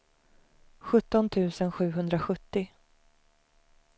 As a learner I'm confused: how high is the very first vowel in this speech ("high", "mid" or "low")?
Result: mid